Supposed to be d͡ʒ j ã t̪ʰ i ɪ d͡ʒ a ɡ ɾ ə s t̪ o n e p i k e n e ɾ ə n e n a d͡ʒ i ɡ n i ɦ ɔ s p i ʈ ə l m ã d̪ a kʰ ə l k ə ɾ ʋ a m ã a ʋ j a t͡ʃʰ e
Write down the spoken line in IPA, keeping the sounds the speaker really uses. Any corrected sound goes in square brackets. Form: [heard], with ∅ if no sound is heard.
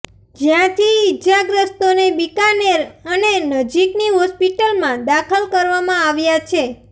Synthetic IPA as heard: d͡ʒ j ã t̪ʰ i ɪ d͡ʒ a ɡ ɾ ə s t̪ o n e [b] i k [a] n e ɾ ə n e n [ə] d͡ʒ i [k] n i ɦ ɔ s p i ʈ ə l m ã d̪ a kʰ ə l k ə ɾ ʋ a m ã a ʋ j a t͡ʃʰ e